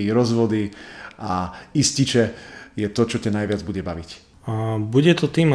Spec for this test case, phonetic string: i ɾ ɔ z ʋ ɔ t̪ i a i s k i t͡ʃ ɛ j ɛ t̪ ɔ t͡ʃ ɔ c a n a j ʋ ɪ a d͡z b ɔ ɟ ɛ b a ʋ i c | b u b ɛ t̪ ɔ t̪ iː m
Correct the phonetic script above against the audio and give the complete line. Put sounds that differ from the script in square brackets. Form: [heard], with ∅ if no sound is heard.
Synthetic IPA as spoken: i ɾ ɔ z ʋ ɔ [d̪] i a i s [c] i t͡ʃ ɛ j ɛ t̪ ɔ t͡ʃ ɔ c a n a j ʋ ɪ a d͡z b [u] ɟ ɛ b a ʋ i c | b u [ɟ] ɛ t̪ ɔ t̪ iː m